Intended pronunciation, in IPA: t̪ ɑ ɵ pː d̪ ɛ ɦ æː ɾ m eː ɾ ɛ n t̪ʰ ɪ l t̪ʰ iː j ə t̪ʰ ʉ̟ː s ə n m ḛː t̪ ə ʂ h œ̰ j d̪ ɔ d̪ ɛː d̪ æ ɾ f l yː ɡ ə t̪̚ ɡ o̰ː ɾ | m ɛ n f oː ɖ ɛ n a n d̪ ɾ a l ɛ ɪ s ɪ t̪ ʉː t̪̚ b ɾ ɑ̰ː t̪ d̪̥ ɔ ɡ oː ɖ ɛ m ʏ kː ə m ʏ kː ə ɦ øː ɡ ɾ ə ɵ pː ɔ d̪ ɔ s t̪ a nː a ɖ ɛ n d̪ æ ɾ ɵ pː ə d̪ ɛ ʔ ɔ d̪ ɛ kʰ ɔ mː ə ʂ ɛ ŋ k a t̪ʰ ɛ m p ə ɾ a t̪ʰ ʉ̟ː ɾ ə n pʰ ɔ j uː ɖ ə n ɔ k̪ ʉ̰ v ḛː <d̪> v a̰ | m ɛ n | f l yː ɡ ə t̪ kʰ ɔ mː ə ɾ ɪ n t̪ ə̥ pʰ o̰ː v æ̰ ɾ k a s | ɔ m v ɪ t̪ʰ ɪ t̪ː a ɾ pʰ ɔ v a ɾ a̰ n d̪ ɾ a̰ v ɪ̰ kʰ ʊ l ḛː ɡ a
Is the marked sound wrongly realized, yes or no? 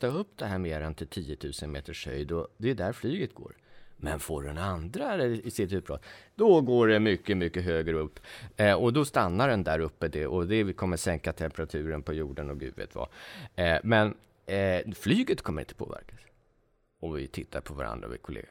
yes